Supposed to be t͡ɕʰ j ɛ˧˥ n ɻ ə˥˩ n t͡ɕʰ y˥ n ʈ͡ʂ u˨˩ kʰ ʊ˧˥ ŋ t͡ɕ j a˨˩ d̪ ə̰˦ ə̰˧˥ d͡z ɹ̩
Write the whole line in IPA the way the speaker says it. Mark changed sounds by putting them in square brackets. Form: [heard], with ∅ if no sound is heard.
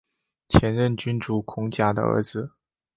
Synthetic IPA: t͡ɕʰ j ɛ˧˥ n ɻ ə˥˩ n [t͡ɕ] y˥ n ʈ͡ʂ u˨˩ kʰ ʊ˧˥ ŋ t͡ɕ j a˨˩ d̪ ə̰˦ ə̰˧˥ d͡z ɹ̩